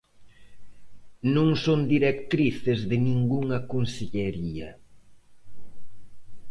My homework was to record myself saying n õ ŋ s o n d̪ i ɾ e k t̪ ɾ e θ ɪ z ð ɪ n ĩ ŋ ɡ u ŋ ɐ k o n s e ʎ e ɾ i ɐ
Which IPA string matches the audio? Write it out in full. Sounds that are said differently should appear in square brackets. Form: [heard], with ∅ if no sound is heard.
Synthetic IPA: n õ ŋ s o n d̪ i ɾ e k t̪ ɾ [i] θ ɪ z ð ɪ n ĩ ŋ ɡ u ŋ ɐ k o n s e ʎ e ɾ i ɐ